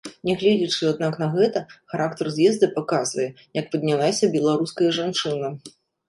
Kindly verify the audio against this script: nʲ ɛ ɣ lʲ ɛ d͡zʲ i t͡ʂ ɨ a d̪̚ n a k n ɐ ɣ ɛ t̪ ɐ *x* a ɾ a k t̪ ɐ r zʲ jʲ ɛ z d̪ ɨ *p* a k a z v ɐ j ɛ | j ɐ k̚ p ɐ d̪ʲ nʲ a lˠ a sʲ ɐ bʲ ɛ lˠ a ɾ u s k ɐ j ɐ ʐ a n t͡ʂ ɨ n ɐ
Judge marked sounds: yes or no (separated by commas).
yes, yes